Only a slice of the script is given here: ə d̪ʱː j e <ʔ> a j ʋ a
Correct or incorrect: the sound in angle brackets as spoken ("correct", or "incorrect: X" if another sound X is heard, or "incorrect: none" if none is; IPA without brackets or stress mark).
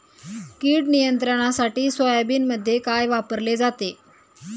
incorrect: k